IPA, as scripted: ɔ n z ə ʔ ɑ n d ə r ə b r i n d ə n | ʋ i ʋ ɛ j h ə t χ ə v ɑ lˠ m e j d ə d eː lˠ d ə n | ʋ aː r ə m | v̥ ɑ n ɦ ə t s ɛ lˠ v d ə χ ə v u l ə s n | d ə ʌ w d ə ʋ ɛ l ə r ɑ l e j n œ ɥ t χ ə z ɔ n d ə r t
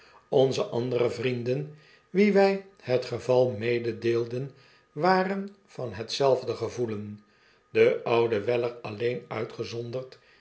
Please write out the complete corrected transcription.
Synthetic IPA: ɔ n z ə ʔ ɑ n d ə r ə v r i n d ə n | ʋ i ʋ ɛ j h ə t χ ə v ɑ lˠ m e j d ə d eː lˠ d ə n | ʋ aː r ə n | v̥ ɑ n ɦ ə t s ɛ lˠ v d ə χ ə v u l ə n | d ə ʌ w d ə ʋ ɛ l ə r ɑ l e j n œ ɥ t χ ə z ɔ n d ə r t